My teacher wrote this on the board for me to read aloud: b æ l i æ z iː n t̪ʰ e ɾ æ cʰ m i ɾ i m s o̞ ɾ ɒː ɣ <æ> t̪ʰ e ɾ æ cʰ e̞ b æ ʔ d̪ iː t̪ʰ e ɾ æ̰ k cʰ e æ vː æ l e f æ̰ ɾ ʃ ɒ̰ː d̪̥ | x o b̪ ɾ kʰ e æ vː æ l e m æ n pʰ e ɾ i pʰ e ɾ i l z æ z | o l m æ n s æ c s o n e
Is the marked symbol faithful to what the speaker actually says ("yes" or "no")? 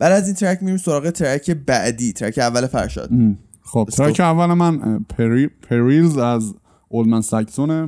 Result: no